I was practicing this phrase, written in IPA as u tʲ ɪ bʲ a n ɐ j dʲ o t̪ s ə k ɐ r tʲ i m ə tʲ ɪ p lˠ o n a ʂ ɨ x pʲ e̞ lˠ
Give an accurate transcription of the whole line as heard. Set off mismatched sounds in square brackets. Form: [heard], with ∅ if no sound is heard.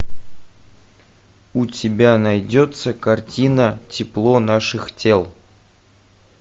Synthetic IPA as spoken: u tʲ ɪ bʲ a n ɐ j dʲ o t̪ s ə k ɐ r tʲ i [n] ə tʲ ɪ p lˠ o n a ʂ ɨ x [tʲ] e̞ lˠ